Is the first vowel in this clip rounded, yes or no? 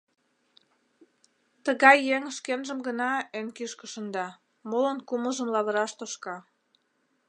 no